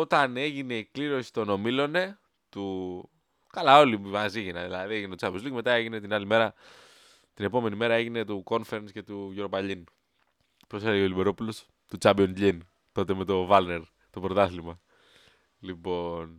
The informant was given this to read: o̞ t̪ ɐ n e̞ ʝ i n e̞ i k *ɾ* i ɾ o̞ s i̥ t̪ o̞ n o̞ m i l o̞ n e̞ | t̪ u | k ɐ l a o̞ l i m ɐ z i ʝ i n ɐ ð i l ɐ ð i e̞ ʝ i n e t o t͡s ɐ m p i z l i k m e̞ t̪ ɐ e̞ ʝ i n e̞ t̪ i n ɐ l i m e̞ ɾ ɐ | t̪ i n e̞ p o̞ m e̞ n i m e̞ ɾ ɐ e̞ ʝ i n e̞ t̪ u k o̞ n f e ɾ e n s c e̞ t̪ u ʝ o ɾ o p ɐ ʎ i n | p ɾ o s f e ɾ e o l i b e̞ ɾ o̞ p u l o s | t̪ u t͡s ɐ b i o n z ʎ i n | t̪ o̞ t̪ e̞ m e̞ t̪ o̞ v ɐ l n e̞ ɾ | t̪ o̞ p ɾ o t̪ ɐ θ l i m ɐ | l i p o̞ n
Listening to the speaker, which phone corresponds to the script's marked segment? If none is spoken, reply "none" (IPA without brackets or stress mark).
l